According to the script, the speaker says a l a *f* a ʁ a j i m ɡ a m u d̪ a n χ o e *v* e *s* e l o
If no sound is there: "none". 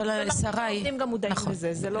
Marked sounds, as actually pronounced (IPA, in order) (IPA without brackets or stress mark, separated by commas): s, z, z